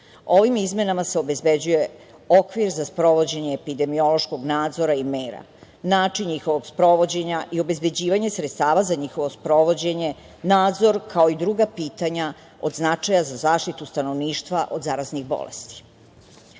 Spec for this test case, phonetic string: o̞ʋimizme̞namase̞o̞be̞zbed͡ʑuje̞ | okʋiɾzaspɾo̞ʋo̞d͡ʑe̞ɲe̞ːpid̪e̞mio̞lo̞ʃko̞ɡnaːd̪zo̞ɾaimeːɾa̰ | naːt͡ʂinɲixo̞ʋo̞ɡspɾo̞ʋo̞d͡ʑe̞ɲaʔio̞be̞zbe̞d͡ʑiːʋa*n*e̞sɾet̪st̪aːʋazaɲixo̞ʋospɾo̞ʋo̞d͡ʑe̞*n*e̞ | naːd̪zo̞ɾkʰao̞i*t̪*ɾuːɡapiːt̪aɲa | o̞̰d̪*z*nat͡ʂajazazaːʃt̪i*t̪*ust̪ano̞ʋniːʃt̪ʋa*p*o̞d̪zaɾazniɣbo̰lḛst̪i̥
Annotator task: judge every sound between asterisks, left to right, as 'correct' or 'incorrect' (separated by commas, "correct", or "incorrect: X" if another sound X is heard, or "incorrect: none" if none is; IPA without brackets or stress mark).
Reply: incorrect: ɲ, incorrect: ɲ, incorrect: d̪, correct, correct, incorrect: ʔ